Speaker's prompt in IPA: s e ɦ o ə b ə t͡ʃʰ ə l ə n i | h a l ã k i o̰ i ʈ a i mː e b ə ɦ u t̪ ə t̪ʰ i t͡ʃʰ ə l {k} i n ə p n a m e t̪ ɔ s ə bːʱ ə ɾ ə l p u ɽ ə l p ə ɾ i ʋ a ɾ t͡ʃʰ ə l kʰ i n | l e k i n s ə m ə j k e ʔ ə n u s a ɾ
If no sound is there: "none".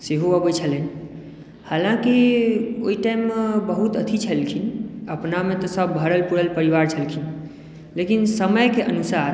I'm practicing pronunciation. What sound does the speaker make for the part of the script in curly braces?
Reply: kʰ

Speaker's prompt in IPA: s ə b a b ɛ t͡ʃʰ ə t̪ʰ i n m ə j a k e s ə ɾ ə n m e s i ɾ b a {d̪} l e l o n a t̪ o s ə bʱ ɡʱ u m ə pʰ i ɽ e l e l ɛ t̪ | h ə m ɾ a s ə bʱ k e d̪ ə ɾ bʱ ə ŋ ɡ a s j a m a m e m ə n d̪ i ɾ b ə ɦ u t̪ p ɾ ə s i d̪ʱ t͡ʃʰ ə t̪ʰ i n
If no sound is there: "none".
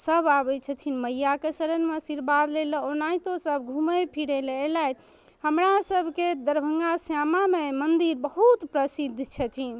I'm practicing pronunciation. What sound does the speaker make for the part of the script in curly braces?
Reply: d̪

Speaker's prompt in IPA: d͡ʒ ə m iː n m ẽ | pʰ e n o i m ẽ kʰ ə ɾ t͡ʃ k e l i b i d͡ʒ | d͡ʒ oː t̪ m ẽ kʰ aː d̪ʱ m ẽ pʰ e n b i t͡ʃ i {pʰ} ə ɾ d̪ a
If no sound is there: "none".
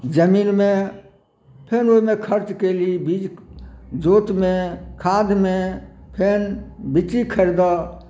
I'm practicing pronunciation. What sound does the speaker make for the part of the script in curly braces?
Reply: kʰ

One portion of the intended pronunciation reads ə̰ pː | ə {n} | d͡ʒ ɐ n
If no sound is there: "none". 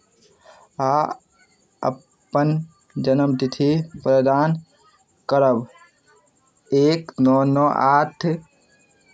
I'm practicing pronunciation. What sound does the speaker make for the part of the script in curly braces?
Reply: n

